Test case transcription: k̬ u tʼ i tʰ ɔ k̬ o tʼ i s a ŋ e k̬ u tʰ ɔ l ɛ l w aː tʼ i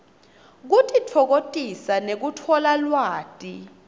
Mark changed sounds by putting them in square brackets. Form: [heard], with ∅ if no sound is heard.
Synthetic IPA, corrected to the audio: k̬ u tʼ i tʰ ɔ k̬ o tʼ i s a [n] e k̬ u tʰ ɔ l [a] l w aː tʼ i

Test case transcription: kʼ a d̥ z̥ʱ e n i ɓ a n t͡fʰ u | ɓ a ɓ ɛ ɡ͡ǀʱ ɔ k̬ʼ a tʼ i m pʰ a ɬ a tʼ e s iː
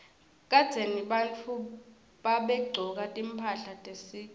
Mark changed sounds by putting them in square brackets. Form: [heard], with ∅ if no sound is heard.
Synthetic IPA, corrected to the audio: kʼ a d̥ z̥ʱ e n i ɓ a n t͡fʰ u | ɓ a ɓ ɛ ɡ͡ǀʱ ɔ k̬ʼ a tʼ i m pʰ a ɬ a tʼ e s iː

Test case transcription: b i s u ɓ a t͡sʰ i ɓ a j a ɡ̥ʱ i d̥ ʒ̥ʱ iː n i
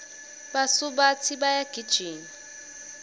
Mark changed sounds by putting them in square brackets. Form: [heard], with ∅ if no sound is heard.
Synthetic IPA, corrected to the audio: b [a] s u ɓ a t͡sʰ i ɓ a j a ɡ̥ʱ i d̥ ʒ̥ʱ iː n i

